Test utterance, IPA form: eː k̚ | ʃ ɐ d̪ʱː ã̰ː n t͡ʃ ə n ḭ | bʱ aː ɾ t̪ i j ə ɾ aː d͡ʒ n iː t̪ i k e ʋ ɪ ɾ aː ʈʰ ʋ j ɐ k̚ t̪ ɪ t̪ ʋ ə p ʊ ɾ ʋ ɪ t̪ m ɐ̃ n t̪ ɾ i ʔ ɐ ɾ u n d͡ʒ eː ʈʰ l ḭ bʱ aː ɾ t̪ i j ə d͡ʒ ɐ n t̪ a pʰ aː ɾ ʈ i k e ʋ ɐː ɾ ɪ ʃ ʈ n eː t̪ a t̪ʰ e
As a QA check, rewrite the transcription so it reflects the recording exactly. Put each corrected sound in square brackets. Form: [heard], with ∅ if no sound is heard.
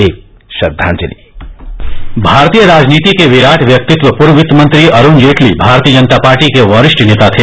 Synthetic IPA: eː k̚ | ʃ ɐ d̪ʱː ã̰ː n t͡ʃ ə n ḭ | bʱ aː ɾ t̪ i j ə ɾ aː d͡ʒ n iː t̪ i k e ʋ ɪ ɾ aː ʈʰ ʋ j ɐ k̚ t̪ ɪ t̪ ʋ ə p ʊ ɾ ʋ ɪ t̪ m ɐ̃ n t̪ ɾ i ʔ ɐ ɾ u n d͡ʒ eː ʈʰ l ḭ bʱ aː ɾ t̪ i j ə d͡ʒ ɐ n t̪ a [p] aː ɾ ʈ i k e ʋ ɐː ɾ ɪ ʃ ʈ n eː t̪ a t̪ʰ e